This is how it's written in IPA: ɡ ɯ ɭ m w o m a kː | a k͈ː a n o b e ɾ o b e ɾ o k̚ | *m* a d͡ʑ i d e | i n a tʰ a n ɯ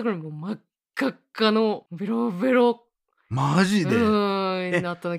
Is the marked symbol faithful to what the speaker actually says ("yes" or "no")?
yes